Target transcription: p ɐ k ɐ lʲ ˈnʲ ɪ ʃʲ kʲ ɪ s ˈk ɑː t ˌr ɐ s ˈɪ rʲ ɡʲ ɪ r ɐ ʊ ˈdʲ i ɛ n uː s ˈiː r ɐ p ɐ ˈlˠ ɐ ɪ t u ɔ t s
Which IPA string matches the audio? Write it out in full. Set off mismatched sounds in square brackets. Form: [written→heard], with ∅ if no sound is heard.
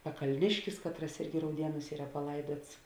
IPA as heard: p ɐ k ɐ lʲ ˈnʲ ɪ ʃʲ kʲ ɪ s ˈk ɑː t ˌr ɐ s ˈɪ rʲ ɡʲ ɪ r ɐ ʊ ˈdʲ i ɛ n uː s ˈiː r ɐ p ɐ ˈlˠ ɐ ɪ [t→d] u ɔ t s